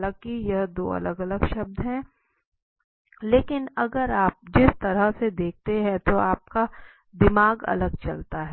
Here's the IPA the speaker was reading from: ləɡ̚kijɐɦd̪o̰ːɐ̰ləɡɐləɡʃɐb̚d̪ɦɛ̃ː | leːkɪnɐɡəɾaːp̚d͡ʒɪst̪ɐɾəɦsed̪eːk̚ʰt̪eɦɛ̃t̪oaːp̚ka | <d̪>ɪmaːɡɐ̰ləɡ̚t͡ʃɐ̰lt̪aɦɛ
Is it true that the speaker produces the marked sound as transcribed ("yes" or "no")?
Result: yes